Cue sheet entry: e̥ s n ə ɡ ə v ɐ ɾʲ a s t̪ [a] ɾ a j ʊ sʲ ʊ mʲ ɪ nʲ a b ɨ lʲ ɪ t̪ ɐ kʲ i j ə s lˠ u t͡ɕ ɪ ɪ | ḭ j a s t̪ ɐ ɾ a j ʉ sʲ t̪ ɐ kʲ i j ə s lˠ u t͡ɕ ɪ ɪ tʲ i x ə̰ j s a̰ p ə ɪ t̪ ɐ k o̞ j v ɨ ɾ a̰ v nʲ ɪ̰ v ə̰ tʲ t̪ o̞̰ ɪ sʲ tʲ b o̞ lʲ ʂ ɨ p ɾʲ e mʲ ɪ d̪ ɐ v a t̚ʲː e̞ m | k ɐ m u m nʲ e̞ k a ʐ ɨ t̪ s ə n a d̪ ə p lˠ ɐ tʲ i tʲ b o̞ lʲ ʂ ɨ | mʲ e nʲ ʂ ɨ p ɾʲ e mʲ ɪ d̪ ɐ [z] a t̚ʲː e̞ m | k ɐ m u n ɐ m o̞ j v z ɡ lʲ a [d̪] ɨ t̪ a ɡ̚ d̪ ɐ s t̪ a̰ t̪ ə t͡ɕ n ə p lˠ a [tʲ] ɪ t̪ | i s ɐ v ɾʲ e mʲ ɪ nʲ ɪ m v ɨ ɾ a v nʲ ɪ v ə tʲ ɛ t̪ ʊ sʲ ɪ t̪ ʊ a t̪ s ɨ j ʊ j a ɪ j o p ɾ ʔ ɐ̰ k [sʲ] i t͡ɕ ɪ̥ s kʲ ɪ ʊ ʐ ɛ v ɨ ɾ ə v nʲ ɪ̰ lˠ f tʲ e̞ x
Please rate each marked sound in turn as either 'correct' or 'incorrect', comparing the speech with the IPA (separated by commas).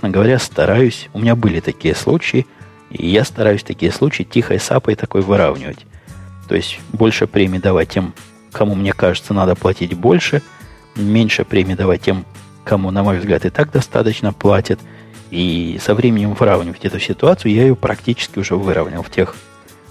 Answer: incorrect, incorrect, incorrect, correct, incorrect